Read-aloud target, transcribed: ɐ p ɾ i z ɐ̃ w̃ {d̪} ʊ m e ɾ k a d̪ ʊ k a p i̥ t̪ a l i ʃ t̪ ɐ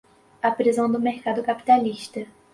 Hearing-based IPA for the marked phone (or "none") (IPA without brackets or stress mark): d̪